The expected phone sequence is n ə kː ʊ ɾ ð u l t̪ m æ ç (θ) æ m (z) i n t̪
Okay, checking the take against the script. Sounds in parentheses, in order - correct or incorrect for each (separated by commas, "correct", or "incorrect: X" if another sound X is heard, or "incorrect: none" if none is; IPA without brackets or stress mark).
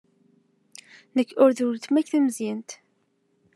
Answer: correct, correct